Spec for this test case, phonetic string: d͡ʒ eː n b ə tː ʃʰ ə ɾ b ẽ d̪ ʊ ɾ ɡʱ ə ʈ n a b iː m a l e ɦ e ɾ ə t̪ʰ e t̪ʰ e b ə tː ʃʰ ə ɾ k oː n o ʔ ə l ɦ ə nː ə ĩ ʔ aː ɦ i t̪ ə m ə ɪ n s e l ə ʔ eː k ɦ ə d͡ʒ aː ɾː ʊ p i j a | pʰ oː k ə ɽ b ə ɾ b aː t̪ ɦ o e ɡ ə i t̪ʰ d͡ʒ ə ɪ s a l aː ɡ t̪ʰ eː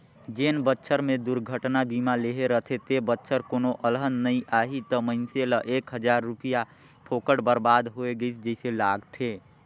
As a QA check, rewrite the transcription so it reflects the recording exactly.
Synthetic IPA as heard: d͡ʒ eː n b ə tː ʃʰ ə ɾ m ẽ d̪ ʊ ɾ ɡʱ ə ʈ n a b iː m a l e ɦ e ɾ ə t̪ʰ e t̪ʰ e b ə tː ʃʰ ə ɾ k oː n o ʔ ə l ɦ ə nː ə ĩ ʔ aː ɦ i t̪ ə m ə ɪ n s e l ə ʔ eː k ɦ ə d͡ʒ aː ɾː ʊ p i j a | pʰ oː k ə ɽ b ə ɾ b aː d̪ ɦ o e ɡ ə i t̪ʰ d͡ʒ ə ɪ s e l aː ɡ t̪ʰ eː